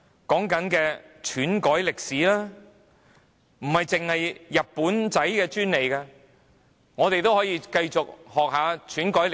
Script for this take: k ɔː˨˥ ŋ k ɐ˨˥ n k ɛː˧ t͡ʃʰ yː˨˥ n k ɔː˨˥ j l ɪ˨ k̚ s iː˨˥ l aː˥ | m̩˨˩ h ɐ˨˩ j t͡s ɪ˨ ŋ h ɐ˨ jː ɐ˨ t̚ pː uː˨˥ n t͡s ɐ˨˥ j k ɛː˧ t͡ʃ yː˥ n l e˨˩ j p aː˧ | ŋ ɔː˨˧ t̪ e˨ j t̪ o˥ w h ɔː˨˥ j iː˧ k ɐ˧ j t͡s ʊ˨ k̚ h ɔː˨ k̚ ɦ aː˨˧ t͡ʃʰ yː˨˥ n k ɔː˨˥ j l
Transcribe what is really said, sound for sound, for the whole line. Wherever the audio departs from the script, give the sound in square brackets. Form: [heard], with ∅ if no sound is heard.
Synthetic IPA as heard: k ɔː˨˥ ŋ k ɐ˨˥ n k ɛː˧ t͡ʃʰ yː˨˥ n k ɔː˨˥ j l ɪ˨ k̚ s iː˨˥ l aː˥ | m̩˨˩ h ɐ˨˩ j t͡s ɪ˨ ŋ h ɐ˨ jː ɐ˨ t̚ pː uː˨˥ n t͡s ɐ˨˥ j k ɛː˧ t͡ʃ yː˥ n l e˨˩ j [k] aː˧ | ŋ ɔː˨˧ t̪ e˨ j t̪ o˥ w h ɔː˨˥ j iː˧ k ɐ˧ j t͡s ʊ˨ k̚ h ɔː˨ k̚ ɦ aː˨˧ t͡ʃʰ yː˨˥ n k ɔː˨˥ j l